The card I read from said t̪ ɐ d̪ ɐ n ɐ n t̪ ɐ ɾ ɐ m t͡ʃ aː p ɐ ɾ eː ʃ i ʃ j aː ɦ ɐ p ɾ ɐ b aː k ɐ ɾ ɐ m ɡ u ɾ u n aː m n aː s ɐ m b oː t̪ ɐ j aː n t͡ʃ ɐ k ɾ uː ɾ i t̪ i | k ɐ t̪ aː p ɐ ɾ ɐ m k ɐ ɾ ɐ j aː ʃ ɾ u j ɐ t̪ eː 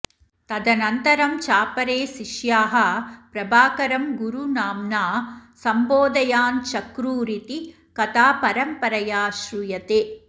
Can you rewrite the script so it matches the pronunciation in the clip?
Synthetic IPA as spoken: t̪ ɐ d̪ ɐ n ɐ n t̪ ɐ ɾ ɐ m t͡ʃ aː p ɐ ɾ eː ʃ i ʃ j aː ɦ ɐ p ɾ ɐ b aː k ɐ ɾ ɐ m ɡ u ɾ u n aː m n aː s ɐ m b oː d̪ ɐ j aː n t͡ʃ ɐ k ɾ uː ɾ i t̪ i | k ɐ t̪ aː p ɐ ɾ ɐ m p ɐ ɾ ɐ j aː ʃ ɾ u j ɐ t̪ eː